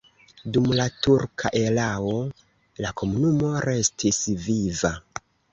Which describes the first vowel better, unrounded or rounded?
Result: rounded